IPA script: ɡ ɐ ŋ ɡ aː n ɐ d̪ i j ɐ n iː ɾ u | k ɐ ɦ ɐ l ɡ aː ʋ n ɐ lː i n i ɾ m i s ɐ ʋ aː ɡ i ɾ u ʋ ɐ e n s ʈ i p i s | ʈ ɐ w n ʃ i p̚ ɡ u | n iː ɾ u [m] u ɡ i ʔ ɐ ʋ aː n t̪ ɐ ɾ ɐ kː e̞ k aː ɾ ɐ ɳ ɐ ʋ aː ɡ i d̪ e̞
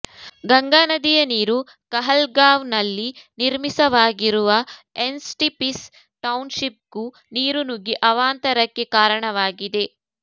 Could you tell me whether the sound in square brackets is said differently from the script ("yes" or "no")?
yes